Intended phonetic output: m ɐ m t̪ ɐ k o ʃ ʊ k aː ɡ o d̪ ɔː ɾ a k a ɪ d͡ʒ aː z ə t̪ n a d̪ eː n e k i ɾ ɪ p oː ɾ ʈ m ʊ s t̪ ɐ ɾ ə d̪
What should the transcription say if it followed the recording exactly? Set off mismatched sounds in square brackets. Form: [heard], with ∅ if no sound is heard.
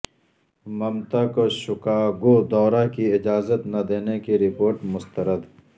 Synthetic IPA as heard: m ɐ m t̪ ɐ k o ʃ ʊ k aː ɡ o d̪ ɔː ɾ a k [i] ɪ d͡ʒ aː z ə t̪ n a d̪ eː n e k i ɾ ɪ p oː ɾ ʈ m ʊ s t̪ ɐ ɾ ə d̪